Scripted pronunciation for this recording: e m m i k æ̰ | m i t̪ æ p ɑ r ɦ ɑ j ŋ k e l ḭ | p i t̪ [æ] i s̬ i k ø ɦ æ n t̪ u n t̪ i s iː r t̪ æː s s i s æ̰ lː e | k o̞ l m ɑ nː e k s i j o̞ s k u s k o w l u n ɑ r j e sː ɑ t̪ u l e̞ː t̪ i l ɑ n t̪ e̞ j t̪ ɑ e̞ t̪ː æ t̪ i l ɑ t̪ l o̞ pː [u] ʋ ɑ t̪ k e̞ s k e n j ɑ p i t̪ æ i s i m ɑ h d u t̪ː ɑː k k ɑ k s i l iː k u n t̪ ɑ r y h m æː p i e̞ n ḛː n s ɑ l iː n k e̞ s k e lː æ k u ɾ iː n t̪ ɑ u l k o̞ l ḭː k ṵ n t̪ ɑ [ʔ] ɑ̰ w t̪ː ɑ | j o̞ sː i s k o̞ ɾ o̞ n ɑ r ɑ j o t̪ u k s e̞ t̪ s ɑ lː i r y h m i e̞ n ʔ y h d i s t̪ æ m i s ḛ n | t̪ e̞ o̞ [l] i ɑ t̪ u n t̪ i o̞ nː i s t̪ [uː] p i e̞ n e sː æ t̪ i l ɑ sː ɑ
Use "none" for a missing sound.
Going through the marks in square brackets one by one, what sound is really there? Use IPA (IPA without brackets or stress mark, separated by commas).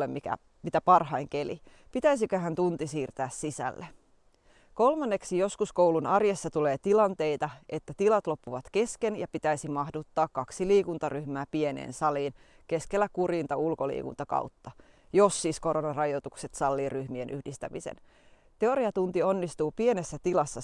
æ, u, k, ɾ, uː